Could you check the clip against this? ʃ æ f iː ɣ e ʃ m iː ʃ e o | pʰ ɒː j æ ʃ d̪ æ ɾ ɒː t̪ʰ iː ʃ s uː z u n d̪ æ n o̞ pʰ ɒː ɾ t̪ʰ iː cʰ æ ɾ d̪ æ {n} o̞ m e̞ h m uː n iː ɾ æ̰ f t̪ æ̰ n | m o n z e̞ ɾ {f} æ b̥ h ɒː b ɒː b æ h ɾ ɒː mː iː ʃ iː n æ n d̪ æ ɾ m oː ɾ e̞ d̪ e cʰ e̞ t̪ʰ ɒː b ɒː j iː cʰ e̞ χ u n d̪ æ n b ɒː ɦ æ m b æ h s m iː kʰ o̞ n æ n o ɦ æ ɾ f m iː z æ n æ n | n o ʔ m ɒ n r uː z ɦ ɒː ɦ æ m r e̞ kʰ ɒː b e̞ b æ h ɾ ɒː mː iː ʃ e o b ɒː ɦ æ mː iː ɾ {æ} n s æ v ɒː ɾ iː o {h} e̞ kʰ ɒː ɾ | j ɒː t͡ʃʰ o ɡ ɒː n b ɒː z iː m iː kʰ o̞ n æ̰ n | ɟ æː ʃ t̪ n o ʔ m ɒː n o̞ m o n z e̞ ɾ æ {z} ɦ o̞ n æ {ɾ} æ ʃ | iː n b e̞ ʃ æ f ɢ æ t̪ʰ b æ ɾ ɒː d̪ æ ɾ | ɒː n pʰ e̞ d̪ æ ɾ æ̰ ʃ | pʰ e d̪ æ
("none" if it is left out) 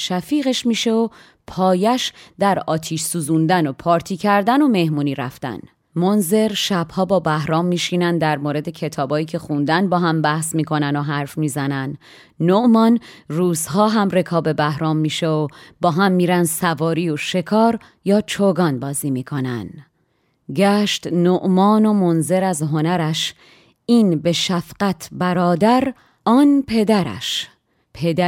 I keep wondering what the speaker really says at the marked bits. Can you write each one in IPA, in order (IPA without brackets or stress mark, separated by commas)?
n, ʃ, æ, ʃ, z, ɾ